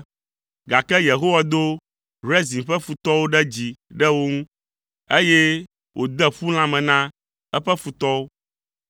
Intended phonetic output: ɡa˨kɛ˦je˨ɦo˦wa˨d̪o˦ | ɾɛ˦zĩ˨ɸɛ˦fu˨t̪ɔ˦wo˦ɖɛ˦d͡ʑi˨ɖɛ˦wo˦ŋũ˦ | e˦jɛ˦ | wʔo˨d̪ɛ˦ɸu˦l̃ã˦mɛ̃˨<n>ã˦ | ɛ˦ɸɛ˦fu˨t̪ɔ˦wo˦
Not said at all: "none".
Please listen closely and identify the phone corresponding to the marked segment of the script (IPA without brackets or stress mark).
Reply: n